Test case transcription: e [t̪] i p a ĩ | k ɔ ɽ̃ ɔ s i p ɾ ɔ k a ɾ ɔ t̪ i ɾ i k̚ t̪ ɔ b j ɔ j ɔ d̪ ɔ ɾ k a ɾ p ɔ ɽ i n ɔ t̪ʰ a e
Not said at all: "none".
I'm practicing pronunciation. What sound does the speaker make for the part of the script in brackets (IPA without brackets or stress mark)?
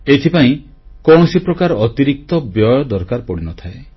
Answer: t̪ʰ